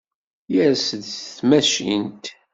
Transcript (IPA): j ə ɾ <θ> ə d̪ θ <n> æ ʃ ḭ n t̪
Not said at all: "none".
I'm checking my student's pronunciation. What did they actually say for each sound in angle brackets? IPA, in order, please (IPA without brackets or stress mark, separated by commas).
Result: s, m